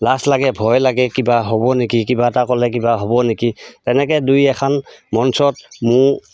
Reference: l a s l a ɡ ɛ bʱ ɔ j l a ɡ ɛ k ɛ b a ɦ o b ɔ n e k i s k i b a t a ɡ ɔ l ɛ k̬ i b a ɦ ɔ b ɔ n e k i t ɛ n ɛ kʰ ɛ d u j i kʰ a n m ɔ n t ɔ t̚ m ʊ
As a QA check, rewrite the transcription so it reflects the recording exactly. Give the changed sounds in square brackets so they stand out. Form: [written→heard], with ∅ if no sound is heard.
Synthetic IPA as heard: l a s l a ɡ ɛ bʱ ɔ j l a ɡ ɛ k [ɛ→i] b a ɦ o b ɔ n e k i [s→∅] k i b a t a [ɡ→k] ɔ l ɛ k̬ i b a ɦ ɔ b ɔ n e k i t ɛ n ɛ [kʰ→k] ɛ d u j [i→ɛ] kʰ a n m ɔ n [t→s] ɔ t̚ m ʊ